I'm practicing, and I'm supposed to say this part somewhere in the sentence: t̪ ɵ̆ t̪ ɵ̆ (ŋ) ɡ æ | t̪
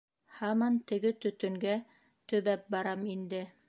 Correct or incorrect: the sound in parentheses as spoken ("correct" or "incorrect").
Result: correct